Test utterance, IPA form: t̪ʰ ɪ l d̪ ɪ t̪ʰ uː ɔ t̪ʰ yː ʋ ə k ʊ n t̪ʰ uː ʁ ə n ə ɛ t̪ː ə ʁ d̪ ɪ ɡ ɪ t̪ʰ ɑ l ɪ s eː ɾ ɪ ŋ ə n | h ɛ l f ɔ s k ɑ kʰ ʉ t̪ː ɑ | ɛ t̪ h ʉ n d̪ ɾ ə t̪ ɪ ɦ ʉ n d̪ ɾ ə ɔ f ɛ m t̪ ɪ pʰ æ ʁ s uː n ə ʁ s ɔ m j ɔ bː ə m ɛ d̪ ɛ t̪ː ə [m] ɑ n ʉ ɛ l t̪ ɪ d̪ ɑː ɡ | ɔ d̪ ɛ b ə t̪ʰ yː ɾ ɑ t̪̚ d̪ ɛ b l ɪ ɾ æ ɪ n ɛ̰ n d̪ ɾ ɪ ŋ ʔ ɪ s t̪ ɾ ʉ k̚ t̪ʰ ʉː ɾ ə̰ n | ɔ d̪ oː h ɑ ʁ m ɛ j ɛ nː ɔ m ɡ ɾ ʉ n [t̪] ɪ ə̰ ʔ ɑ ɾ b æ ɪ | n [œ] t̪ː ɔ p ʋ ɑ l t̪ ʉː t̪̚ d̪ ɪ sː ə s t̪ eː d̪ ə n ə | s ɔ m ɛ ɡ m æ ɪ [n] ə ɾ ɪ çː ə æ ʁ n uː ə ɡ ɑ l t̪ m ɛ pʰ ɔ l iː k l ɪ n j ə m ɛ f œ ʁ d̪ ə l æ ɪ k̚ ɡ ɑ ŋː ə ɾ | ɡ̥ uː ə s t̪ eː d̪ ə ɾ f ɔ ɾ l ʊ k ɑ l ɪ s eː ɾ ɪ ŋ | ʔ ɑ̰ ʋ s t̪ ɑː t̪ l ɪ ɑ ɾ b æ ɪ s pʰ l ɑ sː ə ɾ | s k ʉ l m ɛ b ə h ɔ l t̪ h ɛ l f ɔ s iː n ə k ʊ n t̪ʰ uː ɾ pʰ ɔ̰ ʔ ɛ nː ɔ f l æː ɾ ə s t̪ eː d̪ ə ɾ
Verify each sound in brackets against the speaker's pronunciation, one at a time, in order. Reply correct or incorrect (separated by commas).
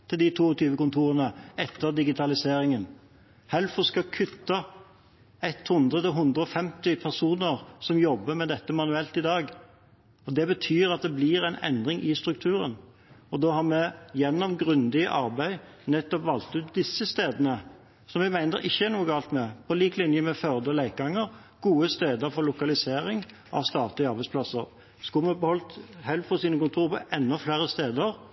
correct, incorrect, incorrect, correct